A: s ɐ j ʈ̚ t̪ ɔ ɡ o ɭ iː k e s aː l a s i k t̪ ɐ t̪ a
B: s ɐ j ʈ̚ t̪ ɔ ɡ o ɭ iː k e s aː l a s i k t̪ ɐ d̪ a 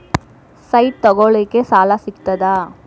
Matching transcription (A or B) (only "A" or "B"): B